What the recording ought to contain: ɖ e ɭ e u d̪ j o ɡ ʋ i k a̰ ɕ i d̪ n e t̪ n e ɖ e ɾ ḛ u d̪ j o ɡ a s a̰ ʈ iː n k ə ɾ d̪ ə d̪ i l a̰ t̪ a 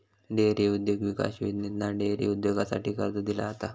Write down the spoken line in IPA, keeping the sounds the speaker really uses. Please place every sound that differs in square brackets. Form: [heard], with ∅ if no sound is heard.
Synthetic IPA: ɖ e [ɾ] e u d̪ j o ɡ ʋ i k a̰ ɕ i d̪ n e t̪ n [a] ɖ e ɾ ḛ u d̪ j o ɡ a s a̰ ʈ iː [∅] k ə ɾ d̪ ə d̪ i l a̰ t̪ a